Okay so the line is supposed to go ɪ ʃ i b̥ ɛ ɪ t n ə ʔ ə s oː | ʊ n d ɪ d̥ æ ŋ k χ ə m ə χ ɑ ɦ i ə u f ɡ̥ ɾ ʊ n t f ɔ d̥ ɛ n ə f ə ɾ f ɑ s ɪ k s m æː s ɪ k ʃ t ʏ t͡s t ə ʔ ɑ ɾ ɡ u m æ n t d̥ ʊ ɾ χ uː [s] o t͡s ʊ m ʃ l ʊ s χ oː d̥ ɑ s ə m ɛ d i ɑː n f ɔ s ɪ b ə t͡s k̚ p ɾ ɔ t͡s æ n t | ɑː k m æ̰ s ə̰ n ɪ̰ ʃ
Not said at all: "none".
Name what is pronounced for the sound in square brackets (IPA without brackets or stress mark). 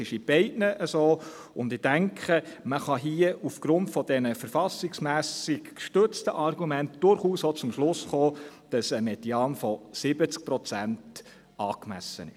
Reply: s